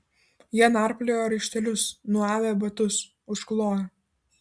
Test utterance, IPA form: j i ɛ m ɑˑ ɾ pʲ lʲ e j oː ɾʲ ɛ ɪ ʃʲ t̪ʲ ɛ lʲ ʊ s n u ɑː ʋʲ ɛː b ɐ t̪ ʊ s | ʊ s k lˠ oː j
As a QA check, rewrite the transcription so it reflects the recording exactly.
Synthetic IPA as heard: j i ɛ n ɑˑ ɾ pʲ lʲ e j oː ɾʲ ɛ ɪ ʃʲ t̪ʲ ɛ lʲ ʊ s n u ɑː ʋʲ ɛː b ɐ t̪ ʊ s | ʊ ʃ k lˠ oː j